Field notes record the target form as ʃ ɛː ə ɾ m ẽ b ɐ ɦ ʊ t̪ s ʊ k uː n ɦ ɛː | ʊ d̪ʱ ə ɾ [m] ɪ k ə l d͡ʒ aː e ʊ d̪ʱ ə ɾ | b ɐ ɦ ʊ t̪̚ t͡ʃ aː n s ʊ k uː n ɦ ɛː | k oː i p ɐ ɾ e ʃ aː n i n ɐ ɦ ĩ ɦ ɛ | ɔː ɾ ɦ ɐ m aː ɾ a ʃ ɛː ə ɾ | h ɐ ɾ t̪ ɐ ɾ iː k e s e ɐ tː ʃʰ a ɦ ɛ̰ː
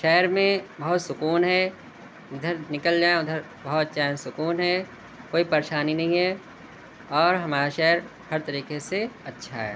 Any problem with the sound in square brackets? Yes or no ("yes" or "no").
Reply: yes